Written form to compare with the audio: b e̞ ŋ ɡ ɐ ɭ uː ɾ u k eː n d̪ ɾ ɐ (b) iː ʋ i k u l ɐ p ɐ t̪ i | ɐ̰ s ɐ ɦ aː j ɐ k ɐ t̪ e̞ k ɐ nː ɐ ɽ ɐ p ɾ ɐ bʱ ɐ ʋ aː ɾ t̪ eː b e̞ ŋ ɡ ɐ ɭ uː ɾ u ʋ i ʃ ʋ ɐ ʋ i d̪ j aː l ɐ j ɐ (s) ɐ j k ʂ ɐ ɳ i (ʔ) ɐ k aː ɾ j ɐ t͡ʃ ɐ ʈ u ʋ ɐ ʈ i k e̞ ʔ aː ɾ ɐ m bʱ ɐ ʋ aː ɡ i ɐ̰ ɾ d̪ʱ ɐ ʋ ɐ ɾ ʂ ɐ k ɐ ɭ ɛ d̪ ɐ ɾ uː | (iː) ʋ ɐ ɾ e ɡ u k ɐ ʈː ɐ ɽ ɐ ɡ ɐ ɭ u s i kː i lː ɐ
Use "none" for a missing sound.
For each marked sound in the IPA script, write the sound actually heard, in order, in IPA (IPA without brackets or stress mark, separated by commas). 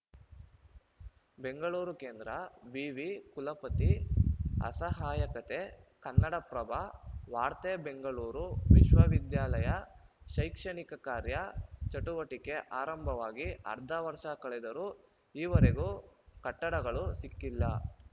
b, ʃ, k, iː